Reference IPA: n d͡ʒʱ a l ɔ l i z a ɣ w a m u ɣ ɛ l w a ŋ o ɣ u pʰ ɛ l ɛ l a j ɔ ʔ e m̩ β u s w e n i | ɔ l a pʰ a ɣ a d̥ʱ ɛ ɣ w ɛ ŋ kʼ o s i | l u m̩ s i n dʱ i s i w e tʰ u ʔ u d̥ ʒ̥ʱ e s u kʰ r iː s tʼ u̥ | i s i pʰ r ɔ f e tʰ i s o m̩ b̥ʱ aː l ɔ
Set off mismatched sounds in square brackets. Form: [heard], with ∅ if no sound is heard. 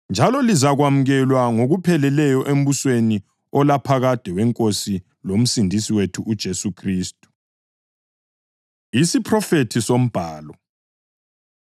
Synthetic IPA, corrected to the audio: n d͡ʒʱ a l ɔ l i z a ɣ w a m u ɣ ɛ l w a ŋ o ɣ u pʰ ɛ l ɛ l [ɛ] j ɔ ʔ e m̩ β u s w e n i | ɔ l a pʰ a ɣ a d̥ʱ ɛ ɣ w ɛ ŋ kʼ o s i | l [o] m̩ s i n dʱ i s i w e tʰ u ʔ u d̥ ʒ̥ʱ e s u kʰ r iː s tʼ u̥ | i s i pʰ r ɔ f e tʰ i s o m̩ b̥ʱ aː l ɔ